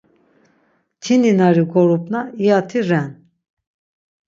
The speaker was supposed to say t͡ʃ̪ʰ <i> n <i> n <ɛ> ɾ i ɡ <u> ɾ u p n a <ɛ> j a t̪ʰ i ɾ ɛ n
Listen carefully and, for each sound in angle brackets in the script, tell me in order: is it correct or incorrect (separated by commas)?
correct, correct, incorrect, incorrect, incorrect